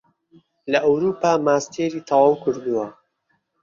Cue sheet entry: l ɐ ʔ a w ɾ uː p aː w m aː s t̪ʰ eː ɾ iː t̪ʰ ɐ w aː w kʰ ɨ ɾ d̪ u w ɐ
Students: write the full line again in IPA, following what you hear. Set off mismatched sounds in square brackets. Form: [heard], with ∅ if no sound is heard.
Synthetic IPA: l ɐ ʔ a w ɾ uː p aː [∅] m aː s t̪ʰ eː ɾ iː t̪ʰ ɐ w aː w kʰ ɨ ɾ d̪ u w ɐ